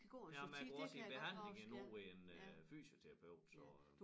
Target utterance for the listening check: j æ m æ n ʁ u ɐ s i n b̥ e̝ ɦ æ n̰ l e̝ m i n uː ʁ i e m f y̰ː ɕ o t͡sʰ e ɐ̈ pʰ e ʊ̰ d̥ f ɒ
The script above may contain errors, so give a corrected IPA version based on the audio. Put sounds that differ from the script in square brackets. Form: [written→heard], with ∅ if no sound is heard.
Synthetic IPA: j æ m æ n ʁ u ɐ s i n b̥ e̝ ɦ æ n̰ l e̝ [m→ŋ] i n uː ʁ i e [m→n] f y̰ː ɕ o t͡sʰ e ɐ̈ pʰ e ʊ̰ d̥ [f→s] ɒ

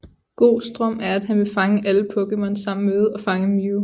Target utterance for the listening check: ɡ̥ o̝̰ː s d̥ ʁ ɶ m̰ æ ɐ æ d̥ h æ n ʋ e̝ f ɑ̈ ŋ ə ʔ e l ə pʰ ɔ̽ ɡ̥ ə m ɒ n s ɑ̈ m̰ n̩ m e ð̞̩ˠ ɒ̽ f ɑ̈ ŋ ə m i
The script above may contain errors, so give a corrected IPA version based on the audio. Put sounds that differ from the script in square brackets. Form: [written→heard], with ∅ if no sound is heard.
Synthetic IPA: ɡ̥ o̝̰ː s d̥ ʁ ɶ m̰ æ ɐ æ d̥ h æ n ʋ e̝ f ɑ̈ ŋ ə ʔ [e→æ] l ə pʰ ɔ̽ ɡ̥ ə m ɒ n s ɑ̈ m̰ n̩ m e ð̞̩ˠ ɒ̽ f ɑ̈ ŋ ə m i

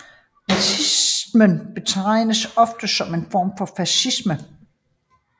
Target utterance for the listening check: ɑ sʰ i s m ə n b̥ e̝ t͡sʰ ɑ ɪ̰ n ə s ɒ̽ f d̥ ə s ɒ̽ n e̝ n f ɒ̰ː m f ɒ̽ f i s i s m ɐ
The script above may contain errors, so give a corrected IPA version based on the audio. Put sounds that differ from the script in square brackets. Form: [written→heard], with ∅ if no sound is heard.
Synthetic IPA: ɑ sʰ i s m ə n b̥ e̝ t͡sʰ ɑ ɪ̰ n ə s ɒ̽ f d̥ ə s ɒ̽ [n→m] e̝ n f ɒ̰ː m f ɒ̽ f [i→æ] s i s m [ɐ→ə]

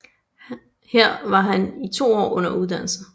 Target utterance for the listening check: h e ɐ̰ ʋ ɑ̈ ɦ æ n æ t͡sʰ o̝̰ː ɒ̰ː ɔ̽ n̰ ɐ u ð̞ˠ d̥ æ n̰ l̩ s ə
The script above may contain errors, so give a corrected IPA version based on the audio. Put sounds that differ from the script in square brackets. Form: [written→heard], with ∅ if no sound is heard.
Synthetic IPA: h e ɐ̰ ʋ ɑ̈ ɦ æ n [æ→i] t͡sʰ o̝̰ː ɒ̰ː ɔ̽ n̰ ɐ u ð̞ˠ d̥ æ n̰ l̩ s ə

